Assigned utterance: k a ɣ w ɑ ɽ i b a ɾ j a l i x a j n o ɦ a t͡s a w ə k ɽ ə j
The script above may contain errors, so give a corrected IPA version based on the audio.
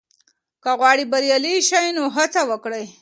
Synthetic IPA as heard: k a ɣ w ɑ ɽ i b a ɾ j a l i ʃ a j n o ɦ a t͡s a w ə k ɽ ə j